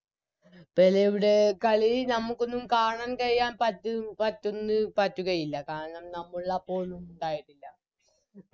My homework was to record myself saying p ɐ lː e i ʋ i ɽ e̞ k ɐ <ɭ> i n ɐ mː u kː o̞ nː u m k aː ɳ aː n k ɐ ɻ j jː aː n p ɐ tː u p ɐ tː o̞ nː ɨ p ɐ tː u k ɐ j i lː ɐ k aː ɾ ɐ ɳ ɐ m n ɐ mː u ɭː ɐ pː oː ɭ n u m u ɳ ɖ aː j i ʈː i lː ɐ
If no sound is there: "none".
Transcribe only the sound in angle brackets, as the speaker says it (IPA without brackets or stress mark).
ɭ